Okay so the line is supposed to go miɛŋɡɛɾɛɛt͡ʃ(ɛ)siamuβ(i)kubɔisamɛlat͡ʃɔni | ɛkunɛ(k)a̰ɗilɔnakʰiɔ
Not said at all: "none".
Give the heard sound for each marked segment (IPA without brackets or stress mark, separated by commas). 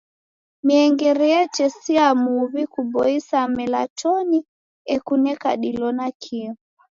ɛ, i, k